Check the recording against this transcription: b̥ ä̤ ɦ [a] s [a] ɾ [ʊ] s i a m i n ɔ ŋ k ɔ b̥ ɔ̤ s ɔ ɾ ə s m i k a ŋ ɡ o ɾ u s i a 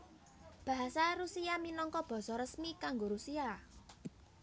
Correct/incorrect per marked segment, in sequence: correct, correct, incorrect: u

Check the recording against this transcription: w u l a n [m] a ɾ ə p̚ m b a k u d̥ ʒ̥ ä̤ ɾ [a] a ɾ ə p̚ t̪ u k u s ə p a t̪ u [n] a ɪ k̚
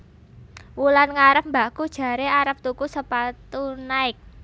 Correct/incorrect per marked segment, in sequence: incorrect: ŋ, incorrect: e, correct

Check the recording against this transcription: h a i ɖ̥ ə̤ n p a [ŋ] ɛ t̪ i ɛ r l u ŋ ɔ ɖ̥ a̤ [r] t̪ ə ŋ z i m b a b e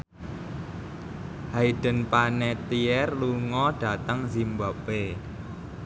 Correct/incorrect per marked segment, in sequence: incorrect: n, incorrect: none

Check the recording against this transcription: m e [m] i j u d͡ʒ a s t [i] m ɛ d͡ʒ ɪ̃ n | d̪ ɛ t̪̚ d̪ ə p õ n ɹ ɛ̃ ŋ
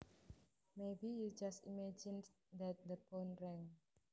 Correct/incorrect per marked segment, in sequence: incorrect: b, correct

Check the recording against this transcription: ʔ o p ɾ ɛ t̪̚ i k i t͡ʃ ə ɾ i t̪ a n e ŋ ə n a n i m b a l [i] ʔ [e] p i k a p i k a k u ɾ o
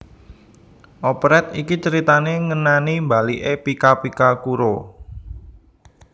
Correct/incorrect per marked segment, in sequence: correct, correct

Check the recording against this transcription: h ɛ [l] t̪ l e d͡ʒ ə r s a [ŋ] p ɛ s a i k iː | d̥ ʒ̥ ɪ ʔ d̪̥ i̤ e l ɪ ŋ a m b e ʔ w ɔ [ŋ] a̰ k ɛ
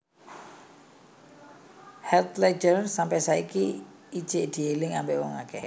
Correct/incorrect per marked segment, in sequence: correct, incorrect: m, correct

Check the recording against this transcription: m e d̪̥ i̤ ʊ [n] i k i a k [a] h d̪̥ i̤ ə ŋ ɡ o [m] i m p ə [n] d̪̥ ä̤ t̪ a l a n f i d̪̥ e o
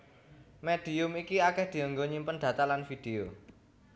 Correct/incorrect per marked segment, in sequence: incorrect: m, incorrect: ɛ, incorrect: ɲ, correct

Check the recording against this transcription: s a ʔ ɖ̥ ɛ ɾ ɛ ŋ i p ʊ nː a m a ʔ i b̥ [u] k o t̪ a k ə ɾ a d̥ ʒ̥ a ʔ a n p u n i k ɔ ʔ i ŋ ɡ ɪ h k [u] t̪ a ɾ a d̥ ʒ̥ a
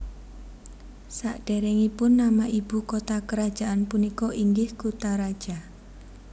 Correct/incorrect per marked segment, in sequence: correct, correct

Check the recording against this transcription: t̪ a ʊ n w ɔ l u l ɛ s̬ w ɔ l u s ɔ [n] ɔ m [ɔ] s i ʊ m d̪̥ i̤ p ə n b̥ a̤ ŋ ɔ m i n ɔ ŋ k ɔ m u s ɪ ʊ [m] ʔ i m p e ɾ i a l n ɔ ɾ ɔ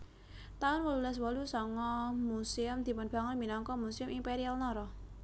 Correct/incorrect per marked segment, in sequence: incorrect: ŋ, incorrect: u, correct

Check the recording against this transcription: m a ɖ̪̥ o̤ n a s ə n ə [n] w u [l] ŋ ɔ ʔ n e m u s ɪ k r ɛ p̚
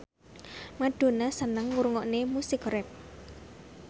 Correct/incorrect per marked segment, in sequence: incorrect: ŋ, incorrect: ɾ

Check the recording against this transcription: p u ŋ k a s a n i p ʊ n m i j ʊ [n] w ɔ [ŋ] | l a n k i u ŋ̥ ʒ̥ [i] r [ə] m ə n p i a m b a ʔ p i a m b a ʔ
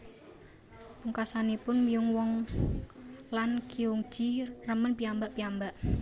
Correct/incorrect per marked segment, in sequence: incorrect: ŋ, correct, correct, correct

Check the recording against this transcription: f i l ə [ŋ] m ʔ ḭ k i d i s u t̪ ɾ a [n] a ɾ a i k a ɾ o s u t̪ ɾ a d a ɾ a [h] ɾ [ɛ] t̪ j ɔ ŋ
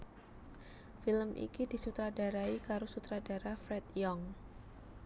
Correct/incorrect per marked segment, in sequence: incorrect: none, incorrect: d, incorrect: f, correct

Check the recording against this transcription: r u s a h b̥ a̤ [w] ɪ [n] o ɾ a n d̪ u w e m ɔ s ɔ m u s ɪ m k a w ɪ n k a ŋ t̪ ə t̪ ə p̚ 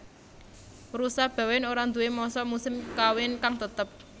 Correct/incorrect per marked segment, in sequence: correct, correct

